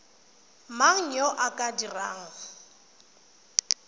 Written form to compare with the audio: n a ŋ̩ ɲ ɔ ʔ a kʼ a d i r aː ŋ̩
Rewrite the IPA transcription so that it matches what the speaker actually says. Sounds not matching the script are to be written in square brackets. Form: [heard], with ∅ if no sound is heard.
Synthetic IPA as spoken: [m] a ŋ̩ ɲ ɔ ʔ a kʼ a d i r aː ŋ̩